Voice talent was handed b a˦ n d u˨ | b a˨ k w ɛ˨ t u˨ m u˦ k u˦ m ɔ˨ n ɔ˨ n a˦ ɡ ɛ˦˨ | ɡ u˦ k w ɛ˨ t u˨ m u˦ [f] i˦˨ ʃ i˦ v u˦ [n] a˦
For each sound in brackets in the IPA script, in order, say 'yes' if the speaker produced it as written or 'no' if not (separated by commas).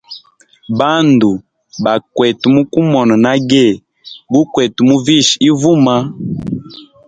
no, no